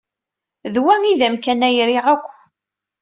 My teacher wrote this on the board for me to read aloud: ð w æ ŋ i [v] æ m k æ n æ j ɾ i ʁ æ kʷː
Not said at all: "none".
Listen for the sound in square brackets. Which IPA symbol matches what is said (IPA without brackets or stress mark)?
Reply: ð